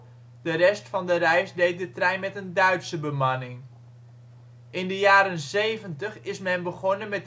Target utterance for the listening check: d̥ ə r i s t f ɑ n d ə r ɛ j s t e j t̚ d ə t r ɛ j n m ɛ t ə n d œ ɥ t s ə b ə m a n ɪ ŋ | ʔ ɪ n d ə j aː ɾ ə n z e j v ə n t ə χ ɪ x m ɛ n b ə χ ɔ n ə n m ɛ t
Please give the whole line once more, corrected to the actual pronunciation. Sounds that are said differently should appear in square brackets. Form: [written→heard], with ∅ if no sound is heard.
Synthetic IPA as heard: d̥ ə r [i→ɛ] s t f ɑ n d ə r ɛ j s [t→d] e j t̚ d ə t r ɛ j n m ɛ t ə n d œ ɥ t s ə b ə m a n ɪ ŋ | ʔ ɪ n d ə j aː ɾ ə n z e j v ə n t ə χ ɪ [x→s] m ɛ n b ə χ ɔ n ə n m ɛ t